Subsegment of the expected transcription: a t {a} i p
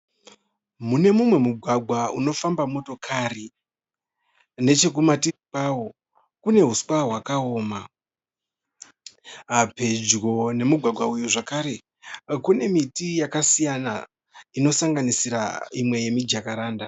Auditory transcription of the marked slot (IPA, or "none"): i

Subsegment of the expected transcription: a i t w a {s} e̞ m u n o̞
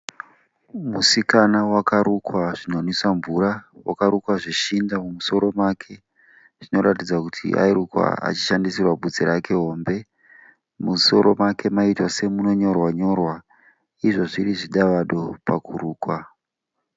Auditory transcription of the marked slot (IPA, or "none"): s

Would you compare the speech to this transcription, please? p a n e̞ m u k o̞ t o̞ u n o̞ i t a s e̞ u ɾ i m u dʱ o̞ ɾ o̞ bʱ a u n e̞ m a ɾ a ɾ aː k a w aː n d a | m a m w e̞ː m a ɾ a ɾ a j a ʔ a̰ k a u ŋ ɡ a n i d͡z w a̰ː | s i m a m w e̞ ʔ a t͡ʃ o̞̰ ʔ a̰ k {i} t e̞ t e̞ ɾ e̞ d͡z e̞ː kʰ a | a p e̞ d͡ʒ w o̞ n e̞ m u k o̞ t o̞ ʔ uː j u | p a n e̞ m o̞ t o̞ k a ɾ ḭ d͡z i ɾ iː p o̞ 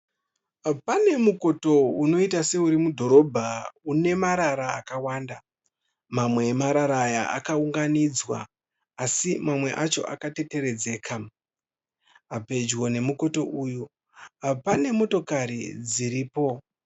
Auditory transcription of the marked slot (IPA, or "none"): a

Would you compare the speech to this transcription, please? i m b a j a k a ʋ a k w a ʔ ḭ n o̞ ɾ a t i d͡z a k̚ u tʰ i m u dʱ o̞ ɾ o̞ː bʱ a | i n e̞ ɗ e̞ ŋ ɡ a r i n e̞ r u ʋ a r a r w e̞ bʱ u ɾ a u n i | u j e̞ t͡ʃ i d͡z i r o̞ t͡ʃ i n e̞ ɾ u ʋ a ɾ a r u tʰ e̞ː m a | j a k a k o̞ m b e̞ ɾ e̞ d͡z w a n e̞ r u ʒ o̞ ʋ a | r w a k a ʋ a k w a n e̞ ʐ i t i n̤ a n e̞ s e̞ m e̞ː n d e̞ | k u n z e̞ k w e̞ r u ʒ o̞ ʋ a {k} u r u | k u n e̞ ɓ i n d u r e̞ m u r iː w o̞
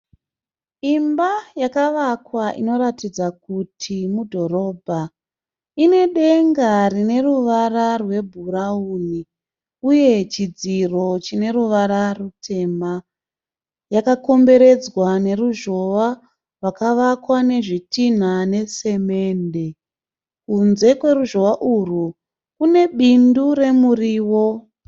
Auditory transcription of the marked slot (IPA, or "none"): ʔ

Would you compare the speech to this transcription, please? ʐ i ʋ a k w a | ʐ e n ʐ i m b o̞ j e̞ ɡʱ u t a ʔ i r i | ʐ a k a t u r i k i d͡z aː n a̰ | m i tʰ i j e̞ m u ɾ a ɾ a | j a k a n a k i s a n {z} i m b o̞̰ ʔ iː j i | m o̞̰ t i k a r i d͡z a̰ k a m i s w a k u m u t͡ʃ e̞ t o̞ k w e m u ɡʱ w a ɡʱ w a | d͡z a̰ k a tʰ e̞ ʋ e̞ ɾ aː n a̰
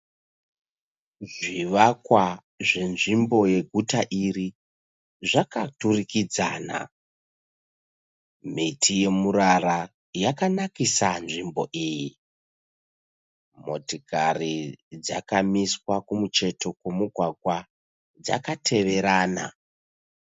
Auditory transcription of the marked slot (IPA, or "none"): ʐ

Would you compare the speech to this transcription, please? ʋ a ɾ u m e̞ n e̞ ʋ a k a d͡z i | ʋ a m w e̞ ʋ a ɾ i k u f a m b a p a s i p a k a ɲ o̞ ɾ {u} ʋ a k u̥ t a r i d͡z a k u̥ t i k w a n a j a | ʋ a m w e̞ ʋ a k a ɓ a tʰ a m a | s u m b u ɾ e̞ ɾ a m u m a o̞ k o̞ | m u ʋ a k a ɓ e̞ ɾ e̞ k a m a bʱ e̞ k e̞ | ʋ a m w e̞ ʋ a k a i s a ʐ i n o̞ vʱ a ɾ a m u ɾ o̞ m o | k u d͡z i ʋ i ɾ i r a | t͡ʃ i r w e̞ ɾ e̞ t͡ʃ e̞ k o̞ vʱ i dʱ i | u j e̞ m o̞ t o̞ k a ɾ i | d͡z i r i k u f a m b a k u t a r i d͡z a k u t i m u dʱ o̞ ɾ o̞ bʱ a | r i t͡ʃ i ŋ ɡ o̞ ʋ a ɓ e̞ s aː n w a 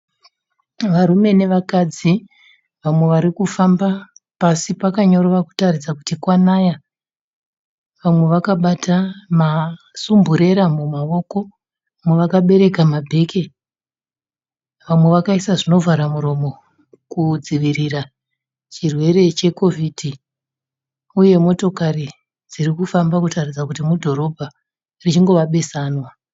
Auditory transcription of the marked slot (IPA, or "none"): o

